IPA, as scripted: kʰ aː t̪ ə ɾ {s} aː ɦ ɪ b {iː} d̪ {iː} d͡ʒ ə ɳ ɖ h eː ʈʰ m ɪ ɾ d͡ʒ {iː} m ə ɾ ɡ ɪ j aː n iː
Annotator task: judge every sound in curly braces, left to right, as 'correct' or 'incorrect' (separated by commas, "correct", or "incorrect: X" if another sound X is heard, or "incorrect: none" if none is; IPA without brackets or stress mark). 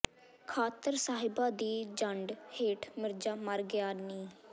correct, incorrect: aː, correct, incorrect: aː